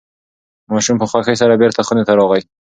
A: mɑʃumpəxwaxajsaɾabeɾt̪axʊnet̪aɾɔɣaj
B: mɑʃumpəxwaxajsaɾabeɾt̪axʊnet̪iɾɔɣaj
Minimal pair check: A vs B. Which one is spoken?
A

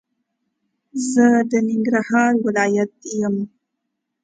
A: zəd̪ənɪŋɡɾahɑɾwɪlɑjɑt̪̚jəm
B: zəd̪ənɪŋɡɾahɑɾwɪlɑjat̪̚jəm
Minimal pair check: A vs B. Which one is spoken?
B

